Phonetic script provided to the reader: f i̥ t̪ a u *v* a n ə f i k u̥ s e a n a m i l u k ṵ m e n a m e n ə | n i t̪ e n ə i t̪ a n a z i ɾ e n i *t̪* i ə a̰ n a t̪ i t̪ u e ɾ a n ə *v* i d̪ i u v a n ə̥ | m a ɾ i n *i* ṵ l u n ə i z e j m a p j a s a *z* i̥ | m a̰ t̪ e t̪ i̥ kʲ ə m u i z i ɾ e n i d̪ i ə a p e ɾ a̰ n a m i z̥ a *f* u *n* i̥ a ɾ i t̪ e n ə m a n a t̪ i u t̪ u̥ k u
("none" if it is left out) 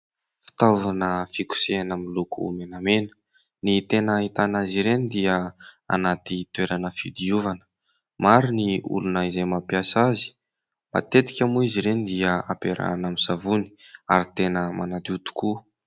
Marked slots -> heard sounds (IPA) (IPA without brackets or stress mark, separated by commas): v, d̪, f, i, z, v, n